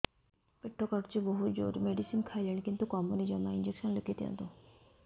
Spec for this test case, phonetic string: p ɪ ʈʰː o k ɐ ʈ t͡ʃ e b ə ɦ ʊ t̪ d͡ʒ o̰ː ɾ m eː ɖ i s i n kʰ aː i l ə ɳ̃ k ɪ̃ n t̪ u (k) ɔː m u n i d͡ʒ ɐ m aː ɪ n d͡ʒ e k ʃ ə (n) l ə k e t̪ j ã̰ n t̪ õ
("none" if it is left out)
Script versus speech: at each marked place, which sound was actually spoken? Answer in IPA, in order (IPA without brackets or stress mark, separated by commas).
k, n